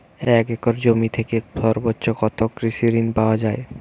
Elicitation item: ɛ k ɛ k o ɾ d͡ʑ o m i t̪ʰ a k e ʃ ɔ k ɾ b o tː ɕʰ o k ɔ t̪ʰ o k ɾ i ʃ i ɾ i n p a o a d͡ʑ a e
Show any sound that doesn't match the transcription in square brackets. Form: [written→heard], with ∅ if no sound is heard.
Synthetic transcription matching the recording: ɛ k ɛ k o ɾ d͡ʑ o m i t̪ʰ [a→e] k e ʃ ɔ [k→∅] ɾ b o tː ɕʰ o k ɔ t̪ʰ o k ɾ i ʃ i ɾ i n p a o a d͡ʑ a e